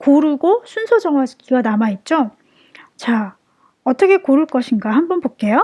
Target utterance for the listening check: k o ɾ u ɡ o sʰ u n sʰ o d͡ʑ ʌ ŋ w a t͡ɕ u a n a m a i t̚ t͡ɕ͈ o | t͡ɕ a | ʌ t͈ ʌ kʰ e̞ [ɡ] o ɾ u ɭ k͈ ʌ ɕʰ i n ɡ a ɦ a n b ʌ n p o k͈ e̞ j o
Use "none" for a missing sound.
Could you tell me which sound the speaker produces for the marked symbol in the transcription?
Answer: k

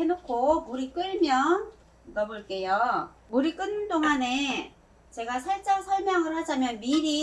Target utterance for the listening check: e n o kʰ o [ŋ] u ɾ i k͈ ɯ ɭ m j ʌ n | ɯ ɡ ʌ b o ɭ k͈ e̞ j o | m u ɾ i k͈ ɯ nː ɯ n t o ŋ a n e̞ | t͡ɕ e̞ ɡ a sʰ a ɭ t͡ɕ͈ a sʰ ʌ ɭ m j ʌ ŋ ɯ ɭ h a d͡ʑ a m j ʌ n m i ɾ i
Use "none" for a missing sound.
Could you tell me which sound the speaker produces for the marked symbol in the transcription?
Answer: m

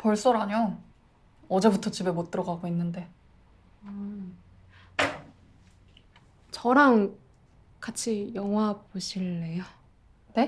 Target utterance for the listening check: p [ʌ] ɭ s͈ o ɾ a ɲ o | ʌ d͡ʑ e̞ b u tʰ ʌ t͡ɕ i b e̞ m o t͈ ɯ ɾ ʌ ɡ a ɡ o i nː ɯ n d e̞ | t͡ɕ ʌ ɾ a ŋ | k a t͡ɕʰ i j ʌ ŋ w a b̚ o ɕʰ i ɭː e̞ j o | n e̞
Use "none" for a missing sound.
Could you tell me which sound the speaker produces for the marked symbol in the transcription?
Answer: ʌ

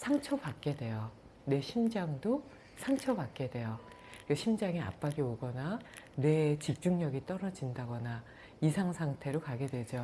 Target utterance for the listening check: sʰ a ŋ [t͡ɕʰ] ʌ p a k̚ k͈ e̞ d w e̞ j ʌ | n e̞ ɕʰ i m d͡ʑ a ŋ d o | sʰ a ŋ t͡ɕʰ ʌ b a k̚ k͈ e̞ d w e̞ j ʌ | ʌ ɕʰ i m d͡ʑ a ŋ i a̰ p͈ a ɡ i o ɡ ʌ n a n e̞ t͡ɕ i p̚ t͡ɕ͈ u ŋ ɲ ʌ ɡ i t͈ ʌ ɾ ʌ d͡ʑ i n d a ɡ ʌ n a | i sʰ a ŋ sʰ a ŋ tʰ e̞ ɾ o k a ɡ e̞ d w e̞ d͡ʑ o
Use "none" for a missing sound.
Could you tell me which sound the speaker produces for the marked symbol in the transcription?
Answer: t͡ɕʰ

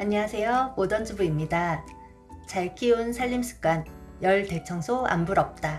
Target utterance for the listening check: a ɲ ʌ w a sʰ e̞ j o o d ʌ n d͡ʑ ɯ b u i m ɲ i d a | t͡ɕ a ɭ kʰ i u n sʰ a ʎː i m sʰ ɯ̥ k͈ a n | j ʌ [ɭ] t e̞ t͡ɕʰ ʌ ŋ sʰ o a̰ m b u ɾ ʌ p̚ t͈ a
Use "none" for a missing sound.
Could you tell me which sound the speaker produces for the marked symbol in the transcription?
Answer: ɭ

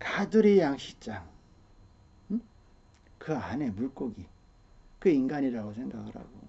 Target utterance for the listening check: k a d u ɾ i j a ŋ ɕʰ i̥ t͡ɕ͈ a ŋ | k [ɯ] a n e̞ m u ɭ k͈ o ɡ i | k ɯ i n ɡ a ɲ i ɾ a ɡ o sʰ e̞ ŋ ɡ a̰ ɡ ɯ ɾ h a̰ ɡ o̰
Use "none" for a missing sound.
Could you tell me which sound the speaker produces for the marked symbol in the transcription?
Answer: ɯ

